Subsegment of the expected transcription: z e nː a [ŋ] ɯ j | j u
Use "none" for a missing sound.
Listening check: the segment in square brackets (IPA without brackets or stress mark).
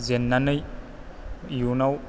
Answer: n